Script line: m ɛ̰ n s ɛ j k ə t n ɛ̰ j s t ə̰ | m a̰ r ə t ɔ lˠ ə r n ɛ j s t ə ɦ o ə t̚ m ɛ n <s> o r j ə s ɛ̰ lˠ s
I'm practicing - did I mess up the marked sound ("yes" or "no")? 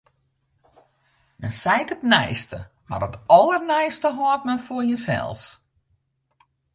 yes